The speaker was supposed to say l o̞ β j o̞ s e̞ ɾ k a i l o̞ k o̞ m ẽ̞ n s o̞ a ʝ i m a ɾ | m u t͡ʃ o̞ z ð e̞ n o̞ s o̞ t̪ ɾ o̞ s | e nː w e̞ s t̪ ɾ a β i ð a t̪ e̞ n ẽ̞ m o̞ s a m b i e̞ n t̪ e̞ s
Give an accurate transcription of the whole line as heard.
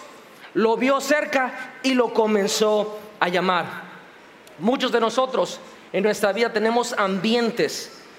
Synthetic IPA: l o̞ β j o̞ s e̞ ɾ k a i l o̞ k o̞ m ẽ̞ n s o̞ a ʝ a m a ɾ | m u t͡ʃ o̞ z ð e̞ n o̞ s o̞ t̪ ɾ o̞ s | e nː w e̞ s t̪ ɾ a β i ð a t̪ e̞ n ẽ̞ m o̞ s a m b j e̞ n t̪ e̞ s